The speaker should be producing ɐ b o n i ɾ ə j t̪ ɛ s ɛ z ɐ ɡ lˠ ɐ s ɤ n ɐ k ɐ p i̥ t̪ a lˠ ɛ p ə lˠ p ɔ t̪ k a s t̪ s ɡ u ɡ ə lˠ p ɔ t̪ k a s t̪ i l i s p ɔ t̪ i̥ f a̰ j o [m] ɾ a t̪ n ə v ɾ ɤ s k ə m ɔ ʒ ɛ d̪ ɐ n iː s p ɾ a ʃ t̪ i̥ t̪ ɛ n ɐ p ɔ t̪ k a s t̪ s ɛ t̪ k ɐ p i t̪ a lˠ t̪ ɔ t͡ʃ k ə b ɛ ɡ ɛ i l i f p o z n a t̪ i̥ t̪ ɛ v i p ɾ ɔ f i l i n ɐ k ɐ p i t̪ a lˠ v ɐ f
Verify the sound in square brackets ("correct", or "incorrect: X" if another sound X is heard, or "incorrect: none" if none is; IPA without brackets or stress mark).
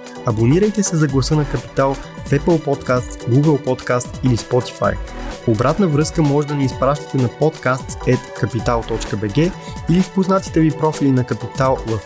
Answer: incorrect: b